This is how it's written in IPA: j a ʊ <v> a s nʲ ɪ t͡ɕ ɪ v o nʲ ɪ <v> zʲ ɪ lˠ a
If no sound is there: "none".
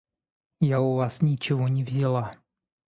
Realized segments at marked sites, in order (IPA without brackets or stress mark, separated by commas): v, v